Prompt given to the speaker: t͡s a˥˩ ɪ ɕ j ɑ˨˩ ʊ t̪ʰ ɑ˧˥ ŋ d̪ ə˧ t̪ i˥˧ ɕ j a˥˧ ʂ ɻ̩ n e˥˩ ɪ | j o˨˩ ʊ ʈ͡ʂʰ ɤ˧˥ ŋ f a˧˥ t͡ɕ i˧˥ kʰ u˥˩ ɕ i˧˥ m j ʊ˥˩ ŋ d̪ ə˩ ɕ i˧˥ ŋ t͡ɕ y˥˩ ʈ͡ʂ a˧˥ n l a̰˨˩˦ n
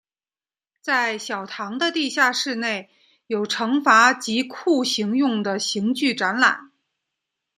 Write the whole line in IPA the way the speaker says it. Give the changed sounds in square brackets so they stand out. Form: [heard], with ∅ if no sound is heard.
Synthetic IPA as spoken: t͡s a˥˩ ɪ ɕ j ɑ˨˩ ʊ t̪ʰ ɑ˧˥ ŋ d̪ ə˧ t̪ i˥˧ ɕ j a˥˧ ʂ ɻ̩ n e˥˩ ɪ | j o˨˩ ʊ ʈ͡ʂʰ ɤ˧˥ ŋ f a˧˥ t͡ɕ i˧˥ kʰ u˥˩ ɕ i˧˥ [ŋ] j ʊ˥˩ ŋ d̪ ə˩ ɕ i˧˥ ŋ t͡ɕ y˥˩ ʈ͡ʂ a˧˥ n l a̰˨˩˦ n